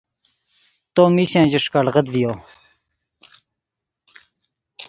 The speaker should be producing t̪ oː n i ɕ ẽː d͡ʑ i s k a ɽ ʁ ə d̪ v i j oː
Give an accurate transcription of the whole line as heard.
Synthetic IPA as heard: t̪ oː m i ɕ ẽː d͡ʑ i ʂ k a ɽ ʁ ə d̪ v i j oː